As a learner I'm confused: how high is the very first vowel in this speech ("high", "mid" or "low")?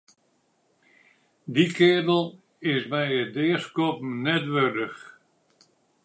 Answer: high